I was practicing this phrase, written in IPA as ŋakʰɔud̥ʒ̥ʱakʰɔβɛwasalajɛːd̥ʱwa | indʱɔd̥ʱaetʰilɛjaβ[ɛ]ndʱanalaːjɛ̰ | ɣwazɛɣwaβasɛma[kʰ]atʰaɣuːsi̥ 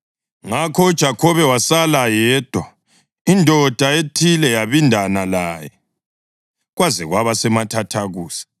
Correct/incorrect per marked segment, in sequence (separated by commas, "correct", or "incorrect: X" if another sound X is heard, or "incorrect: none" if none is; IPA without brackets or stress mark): incorrect: i, incorrect: tʰ